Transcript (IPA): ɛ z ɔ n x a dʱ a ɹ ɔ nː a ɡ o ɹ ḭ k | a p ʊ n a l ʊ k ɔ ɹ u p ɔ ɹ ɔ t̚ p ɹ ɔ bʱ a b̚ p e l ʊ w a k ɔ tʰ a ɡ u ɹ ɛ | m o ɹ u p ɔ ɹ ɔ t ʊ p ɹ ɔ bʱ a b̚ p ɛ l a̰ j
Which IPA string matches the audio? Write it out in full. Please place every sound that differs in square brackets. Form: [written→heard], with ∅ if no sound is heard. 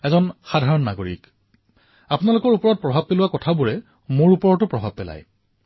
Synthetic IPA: ɛ z ɔ n x a dʱ a ɹ ɔ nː a ɡ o ɹ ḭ k | a p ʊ n a l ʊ k ɔ ɹ u p ɔ ɹ ɔ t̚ p ɹ ɔ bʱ a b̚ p e l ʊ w a k ɔ tʰ a [ɡ→b] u ɹ ɛ | m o ɹ u p ɔ ɹ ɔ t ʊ p ɹ ɔ bʱ a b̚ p ɛ l a̰ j